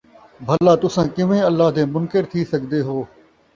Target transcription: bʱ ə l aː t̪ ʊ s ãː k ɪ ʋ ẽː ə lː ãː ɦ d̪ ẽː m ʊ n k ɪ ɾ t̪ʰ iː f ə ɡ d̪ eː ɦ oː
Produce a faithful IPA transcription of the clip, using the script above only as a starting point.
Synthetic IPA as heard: bʱ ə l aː t̪ ʊ s ãː k ɪ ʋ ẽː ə lː aː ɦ d̪ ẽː m ʊ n k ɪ ɾ t̪ʰ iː s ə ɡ d̪ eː ɦ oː